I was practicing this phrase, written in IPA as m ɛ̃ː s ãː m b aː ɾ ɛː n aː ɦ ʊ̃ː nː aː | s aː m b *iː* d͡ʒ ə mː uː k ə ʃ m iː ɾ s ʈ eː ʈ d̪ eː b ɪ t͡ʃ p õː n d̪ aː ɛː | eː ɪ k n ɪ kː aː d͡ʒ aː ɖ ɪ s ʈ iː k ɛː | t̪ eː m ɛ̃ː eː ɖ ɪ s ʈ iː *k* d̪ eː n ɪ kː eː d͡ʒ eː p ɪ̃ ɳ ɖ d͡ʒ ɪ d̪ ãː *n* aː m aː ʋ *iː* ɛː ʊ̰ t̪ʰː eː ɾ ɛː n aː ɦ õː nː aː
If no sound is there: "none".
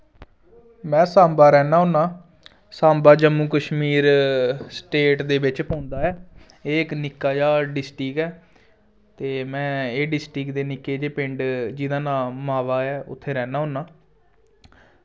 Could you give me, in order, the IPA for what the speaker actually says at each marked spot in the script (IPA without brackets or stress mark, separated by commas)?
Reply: aː, k, n, aː